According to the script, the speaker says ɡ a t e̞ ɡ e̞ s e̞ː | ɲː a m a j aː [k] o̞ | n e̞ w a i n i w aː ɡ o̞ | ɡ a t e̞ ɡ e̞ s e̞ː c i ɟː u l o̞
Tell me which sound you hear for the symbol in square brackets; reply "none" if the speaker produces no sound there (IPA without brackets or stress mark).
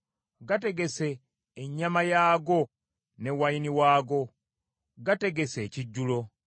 ɡ